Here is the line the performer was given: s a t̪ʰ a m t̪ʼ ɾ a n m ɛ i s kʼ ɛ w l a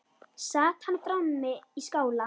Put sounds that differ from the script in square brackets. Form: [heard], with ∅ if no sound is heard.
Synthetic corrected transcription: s a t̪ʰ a [n] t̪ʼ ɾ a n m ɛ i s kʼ [a] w l a